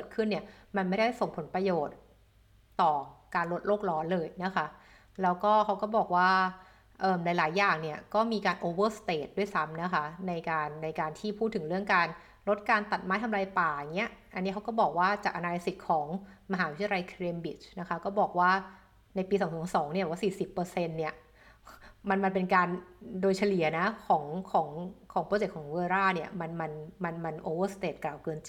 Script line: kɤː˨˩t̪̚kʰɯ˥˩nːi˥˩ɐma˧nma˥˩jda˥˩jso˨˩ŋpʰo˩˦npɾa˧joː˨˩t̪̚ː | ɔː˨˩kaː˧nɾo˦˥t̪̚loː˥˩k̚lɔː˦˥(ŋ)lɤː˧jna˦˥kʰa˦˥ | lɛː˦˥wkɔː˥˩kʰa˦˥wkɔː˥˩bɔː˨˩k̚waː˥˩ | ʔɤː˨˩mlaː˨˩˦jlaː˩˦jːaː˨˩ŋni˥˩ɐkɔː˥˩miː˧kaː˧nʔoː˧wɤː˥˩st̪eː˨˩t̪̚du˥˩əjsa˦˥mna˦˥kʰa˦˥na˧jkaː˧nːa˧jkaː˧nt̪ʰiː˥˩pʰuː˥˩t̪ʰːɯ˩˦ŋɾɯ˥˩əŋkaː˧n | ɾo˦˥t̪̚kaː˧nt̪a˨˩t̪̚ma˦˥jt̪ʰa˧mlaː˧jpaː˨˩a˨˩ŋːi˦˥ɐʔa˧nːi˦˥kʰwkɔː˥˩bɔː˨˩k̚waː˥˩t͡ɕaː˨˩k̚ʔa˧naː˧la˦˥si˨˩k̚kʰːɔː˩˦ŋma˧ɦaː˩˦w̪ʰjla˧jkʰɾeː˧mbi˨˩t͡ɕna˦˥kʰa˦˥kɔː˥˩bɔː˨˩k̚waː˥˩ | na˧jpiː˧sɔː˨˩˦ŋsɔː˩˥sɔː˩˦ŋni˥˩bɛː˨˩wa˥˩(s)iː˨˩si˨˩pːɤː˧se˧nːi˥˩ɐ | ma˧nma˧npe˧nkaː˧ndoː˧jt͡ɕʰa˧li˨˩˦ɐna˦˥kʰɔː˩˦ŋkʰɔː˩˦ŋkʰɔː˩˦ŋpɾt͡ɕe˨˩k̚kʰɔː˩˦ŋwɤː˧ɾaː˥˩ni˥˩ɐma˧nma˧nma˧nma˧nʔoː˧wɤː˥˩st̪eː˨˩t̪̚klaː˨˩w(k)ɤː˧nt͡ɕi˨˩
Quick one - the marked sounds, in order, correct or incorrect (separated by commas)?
incorrect, correct, correct